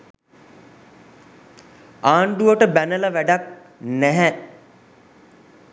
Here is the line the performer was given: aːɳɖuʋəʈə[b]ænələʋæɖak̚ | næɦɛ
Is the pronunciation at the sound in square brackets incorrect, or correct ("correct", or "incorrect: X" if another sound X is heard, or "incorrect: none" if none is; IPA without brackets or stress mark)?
correct